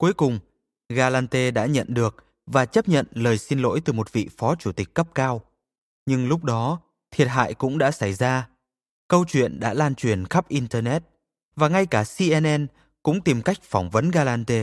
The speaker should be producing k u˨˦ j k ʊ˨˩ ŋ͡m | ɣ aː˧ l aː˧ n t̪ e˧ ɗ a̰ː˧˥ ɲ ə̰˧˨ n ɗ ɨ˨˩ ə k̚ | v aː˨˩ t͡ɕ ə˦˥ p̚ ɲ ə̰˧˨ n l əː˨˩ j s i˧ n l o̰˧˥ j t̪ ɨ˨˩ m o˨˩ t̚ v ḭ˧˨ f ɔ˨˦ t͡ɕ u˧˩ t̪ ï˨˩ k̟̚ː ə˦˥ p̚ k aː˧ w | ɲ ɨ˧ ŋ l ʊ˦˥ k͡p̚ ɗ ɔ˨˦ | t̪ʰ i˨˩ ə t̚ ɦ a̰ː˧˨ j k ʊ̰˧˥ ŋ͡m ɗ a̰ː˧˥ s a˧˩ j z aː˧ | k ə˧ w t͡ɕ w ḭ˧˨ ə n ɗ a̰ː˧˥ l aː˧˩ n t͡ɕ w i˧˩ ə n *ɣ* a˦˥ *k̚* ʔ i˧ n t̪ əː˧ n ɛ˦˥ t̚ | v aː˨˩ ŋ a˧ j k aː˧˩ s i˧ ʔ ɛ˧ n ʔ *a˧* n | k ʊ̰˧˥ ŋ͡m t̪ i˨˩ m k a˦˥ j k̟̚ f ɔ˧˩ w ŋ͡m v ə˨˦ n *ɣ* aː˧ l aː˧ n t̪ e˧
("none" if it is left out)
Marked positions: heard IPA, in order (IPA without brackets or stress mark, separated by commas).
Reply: x, p̚, ɛ˧, ɣ